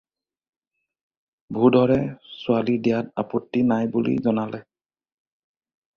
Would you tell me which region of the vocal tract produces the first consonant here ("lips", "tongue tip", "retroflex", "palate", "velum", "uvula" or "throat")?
lips